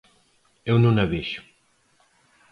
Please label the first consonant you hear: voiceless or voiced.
voiced